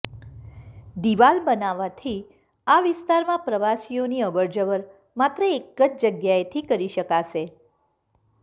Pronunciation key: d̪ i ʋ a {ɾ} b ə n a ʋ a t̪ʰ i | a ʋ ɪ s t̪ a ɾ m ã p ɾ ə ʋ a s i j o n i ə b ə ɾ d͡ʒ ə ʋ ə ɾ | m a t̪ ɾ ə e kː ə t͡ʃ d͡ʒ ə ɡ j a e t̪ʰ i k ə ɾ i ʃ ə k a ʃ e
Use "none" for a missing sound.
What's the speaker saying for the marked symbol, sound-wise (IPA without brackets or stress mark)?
l